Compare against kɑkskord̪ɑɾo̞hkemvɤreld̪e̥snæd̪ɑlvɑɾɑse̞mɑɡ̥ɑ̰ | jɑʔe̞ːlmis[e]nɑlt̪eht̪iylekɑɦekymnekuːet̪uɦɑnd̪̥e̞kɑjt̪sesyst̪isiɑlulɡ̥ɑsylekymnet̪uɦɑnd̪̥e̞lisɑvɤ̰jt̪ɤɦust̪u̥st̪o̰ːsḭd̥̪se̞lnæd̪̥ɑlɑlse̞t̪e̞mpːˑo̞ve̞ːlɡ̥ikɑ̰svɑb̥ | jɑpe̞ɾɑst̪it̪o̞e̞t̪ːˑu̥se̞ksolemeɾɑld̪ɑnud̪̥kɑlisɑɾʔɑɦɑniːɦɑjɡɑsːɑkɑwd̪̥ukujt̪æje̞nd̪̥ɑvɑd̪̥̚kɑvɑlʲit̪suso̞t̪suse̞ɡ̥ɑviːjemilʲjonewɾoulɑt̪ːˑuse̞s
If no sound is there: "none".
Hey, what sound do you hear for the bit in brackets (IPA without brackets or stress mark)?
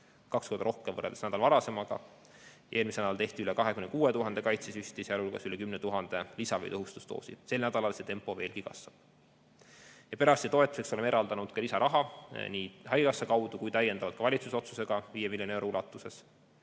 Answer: e